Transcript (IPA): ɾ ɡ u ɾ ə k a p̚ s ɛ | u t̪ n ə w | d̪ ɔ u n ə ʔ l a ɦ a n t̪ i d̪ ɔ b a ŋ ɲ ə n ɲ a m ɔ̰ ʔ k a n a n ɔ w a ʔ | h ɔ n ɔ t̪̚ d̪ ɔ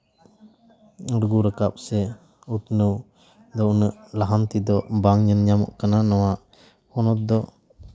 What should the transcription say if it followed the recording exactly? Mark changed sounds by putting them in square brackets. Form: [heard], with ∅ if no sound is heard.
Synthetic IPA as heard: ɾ ɡ u ɾ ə k a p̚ s ɛ | u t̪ n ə w | d̪ ɔ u n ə ʔ l a ɦ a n t̪ i d̪ ɔ b a ŋ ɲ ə n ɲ a m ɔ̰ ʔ k a n a n ɔ w a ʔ | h ɔ n ɔ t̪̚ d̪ ɔ